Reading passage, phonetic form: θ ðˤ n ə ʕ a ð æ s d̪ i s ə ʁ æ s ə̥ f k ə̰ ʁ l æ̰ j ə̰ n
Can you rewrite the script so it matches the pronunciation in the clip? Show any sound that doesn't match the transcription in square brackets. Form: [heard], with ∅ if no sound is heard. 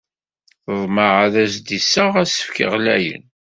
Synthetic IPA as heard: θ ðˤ [m] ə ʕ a ð æ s d̪ i s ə ʁ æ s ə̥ f k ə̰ ʁ l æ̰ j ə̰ n